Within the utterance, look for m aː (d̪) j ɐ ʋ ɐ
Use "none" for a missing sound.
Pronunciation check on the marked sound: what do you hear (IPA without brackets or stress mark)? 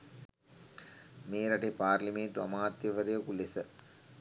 t̪